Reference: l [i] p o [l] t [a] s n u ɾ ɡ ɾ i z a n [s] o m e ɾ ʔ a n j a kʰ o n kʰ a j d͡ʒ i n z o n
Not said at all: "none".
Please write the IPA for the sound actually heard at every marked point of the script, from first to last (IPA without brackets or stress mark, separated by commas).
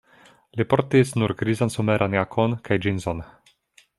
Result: i, ɾ, i, s